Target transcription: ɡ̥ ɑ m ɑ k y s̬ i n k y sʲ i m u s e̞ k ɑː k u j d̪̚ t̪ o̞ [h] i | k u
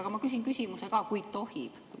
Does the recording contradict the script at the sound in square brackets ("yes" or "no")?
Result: no